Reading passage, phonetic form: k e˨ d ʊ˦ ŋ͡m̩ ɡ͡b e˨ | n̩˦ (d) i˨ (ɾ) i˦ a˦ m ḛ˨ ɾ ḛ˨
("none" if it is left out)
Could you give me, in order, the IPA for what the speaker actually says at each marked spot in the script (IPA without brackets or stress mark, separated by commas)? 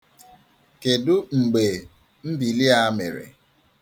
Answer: d, l